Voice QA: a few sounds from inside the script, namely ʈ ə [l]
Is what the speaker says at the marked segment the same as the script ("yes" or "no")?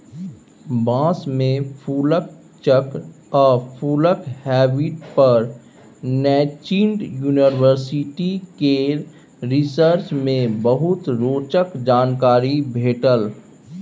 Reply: yes